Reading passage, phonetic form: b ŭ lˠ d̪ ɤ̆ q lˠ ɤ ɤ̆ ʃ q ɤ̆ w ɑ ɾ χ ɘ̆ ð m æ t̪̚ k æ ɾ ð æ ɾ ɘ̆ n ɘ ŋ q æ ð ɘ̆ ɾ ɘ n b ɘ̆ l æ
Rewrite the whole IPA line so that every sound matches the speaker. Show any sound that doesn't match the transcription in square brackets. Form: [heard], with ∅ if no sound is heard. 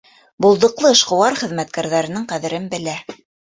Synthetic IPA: b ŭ lˠ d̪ ɤ̆ q lˠ ɤ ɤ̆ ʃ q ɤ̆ w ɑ ɾ χ ɘ̆ ð m æ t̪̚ k æ ɾ ð æ ɾ ɘ̆ n ɘ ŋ q æ ð ɘ̆ ɾ ɘ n b ɘ̆ l æ